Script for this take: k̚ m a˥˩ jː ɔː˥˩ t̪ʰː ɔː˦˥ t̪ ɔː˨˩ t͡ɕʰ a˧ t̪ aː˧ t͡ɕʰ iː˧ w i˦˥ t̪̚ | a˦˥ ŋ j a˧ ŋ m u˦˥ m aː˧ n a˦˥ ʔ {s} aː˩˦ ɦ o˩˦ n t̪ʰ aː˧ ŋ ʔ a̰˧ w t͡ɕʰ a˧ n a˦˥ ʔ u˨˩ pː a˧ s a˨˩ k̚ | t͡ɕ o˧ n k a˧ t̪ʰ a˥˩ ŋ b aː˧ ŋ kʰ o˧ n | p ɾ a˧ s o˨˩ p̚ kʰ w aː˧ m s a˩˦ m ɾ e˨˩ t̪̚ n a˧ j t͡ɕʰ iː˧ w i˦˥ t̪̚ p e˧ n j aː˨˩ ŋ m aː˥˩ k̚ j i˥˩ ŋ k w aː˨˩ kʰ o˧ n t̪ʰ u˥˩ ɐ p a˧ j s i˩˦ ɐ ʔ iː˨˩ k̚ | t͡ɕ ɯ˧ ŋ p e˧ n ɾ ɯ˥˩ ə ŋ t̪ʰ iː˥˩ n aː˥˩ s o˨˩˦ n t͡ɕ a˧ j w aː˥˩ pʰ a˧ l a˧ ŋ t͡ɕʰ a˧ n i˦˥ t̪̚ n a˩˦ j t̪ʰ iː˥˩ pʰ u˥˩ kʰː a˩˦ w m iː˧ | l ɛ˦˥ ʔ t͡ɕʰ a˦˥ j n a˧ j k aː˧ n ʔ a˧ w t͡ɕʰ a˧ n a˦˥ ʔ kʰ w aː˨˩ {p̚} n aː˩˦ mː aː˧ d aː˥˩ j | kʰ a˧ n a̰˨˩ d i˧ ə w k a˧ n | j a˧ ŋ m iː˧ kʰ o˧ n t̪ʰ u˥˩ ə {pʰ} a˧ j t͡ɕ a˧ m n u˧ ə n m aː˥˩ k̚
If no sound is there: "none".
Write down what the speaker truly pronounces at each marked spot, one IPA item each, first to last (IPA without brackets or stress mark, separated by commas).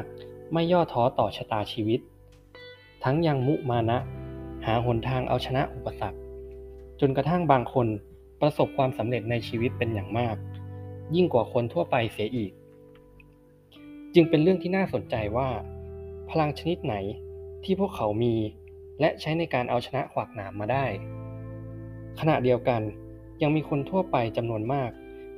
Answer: h, k̚, p